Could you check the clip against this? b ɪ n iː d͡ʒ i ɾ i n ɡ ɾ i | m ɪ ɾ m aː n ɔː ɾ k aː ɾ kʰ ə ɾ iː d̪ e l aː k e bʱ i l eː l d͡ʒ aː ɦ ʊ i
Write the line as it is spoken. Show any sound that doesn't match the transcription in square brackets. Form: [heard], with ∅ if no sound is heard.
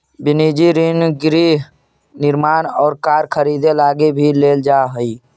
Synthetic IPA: b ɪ n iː d͡ʒ i ɾ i n ɡ ɾ i | [n] ɪ ɾ m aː n ɔː ɾ k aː ɾ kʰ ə ɾ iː d̪ e l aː [ɡ] e bʱ i l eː l d͡ʒ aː ɦ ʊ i